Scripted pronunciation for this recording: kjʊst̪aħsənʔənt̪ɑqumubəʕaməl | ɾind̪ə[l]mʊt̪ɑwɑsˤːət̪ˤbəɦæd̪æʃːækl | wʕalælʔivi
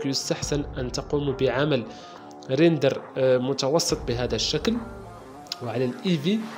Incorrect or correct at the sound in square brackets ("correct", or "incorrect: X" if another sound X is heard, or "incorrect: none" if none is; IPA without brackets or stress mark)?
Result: incorrect: ɾ